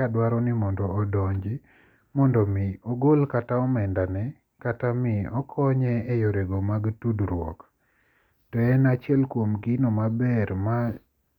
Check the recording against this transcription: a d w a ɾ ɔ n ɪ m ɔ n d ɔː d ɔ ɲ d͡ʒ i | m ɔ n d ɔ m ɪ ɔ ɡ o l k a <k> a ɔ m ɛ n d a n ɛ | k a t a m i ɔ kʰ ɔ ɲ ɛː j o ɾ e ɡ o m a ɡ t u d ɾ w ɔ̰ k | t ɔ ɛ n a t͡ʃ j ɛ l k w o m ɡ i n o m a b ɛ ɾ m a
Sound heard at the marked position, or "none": t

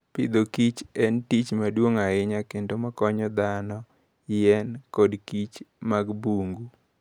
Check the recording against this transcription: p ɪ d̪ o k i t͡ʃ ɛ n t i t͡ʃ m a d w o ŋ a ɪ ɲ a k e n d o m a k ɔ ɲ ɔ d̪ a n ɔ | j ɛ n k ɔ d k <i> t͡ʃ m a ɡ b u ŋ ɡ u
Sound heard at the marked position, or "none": i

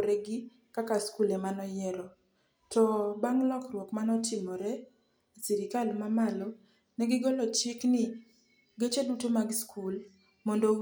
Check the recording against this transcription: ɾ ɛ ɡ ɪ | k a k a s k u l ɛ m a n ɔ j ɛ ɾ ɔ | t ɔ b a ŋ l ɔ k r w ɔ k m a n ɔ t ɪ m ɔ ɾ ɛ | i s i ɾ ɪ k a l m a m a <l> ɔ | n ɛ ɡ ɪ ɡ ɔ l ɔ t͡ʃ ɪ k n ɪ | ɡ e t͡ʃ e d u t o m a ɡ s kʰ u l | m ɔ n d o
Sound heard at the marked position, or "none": l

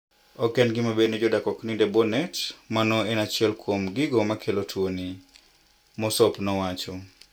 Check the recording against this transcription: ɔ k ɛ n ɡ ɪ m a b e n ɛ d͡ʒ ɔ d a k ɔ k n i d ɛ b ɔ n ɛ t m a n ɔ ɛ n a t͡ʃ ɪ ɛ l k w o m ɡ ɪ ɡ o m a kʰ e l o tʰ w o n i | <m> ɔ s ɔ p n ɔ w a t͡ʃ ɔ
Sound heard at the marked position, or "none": m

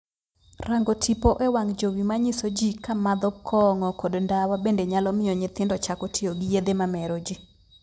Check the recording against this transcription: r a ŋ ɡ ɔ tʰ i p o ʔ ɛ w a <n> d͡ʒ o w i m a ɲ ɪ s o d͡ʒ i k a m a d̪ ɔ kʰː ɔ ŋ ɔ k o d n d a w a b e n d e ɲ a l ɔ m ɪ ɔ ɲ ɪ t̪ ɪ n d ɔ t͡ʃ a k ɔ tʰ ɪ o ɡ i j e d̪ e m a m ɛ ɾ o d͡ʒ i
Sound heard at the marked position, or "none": ŋ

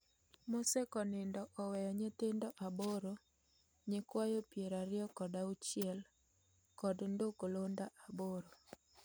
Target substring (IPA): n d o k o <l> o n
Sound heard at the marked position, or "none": l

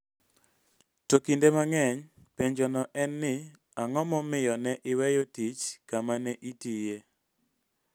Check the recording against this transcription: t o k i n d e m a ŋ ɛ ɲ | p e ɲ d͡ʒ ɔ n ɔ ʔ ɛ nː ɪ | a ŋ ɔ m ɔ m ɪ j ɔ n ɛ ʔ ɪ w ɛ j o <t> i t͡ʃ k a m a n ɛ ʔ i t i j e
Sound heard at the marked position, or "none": t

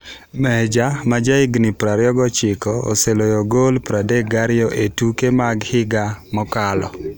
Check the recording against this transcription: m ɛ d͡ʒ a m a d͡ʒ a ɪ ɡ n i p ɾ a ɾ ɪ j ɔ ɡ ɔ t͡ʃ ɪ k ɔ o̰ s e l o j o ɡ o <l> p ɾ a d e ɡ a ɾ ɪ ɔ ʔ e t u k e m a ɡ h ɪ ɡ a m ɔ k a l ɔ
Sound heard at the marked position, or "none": l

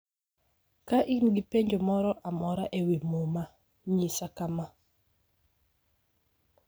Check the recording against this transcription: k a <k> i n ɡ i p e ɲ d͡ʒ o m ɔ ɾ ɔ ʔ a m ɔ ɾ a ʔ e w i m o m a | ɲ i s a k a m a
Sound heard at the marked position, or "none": ʔ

